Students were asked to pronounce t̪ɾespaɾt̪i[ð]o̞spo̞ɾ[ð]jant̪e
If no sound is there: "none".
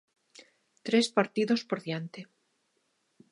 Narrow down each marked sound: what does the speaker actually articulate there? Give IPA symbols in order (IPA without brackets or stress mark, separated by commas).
ð, ð